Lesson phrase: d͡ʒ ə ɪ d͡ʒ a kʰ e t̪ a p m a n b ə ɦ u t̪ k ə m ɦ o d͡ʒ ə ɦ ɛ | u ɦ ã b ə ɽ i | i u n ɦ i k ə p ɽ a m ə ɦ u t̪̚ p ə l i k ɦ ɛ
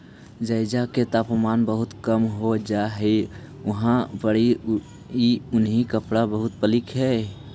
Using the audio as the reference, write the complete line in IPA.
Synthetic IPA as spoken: d͡ʒ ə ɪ d͡ʒ a k e t̪ a p m a n b ə ɦ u t̪ k ə m ɦ o d͡ʒ a ɦ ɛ | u ɦ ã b ə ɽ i | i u n ɦ i k ə p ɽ a b ə ɦ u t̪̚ p ə l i k ɦ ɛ